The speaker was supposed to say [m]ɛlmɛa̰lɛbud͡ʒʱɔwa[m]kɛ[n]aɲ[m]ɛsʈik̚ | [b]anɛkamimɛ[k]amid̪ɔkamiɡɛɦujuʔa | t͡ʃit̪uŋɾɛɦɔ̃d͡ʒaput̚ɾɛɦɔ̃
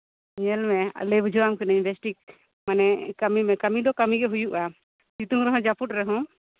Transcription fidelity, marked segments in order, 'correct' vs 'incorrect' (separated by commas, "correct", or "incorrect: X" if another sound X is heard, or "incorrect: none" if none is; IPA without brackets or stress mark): incorrect: ɲ, correct, correct, incorrect: b, incorrect: m, correct